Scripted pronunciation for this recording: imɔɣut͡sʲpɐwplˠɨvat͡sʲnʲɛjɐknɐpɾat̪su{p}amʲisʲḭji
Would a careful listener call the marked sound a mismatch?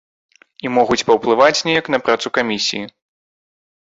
yes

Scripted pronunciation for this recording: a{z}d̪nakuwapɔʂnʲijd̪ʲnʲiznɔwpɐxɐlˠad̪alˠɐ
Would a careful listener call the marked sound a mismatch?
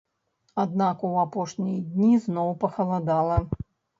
yes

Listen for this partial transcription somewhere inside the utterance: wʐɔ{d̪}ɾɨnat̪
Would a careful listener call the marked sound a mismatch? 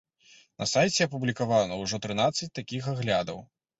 yes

